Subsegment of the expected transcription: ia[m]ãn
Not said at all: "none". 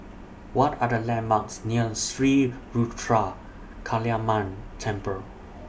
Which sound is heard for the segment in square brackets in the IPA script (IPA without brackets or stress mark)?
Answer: m